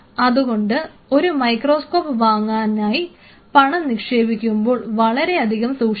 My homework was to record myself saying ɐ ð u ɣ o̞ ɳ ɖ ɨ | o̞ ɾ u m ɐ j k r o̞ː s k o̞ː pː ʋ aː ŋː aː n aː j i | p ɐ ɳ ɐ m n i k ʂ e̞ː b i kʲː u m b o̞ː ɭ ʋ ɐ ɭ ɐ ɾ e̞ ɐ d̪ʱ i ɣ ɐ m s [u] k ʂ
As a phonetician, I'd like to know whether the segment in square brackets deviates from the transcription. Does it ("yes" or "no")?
yes